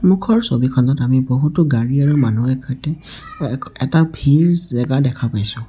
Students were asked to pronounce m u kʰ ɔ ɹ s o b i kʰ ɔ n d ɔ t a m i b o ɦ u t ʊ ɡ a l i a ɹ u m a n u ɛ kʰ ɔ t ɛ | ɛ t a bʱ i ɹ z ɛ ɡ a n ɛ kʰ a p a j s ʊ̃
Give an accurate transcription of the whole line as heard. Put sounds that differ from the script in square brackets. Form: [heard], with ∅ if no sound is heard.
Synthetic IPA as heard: m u kʰ ɔ ɹ s o b i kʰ ɔ n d ɔ t a m i b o ɦ u t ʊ ɡ a [ɹ] i a ɹ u m a n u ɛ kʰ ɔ t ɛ | ɛ t a bʱ i ɹ z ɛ ɡ a [d] ɛ kʰ a p a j s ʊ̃